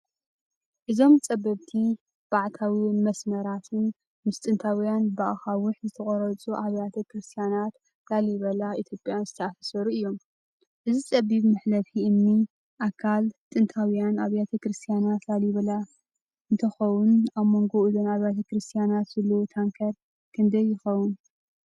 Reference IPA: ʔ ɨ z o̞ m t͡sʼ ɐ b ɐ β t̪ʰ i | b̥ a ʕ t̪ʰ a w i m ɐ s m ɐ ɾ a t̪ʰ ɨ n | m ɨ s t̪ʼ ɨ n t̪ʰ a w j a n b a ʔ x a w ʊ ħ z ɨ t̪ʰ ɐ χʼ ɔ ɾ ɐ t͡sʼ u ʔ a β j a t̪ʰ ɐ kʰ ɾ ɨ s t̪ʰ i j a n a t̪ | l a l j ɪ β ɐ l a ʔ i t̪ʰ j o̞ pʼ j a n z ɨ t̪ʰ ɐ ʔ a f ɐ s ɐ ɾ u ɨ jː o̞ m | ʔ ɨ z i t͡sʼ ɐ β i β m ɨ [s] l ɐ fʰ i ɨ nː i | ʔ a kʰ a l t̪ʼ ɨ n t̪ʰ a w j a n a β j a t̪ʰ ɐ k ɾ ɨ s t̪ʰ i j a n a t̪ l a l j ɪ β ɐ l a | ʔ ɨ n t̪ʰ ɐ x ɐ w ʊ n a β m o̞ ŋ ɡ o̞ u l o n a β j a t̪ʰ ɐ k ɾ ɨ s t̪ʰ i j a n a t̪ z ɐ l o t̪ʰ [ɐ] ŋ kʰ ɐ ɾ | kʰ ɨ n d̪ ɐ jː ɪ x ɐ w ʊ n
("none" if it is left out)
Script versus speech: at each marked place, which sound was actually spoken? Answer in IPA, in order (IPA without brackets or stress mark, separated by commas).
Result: ħ, a